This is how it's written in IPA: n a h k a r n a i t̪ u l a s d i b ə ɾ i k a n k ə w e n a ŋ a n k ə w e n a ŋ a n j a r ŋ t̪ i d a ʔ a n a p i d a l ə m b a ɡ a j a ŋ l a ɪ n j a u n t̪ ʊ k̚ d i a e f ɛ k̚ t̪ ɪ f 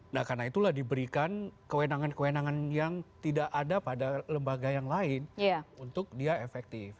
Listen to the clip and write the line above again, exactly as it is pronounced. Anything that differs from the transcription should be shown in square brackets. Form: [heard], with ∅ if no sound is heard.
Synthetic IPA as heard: n a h k a r n a i t̪ u l a [h] d i b ə ɾ i k a n k ə w e n a ŋ a n k ə w e n a ŋ a n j a [∅] ŋ t̪ i d a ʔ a [d] a p [a] d a l ə m b a ɡ a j a ŋ l a ɪ n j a u n t̪ ʊ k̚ d i a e f ɛ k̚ t̪ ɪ f